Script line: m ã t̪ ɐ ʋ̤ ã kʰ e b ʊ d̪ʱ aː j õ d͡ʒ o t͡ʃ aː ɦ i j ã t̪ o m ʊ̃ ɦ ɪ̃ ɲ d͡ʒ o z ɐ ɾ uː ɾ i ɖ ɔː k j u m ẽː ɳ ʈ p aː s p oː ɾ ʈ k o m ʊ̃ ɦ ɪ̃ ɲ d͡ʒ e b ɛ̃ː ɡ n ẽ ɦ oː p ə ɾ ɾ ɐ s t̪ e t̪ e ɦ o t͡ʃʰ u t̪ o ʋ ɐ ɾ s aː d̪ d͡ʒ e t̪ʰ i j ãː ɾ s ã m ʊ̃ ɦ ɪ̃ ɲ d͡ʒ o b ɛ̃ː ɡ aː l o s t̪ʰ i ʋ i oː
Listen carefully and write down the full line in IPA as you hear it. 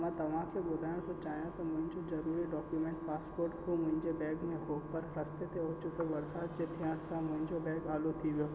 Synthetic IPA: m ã t̪ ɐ ʋ̤ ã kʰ e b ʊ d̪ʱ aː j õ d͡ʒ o t͡ʃ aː ɦ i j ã t̪ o m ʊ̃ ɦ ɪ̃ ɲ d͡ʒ o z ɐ ɾ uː ɾ i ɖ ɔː k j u m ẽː ɳ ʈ p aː s p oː ɾ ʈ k o m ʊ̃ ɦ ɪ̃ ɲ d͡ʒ e b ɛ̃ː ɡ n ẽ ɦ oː p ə ɾ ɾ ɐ s t̪ e t̪ e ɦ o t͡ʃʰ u t̪ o ʋ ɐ ɾ s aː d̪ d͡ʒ e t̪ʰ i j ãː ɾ s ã m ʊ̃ ɦ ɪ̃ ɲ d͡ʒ o b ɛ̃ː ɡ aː l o t̪ʰ i ʋ j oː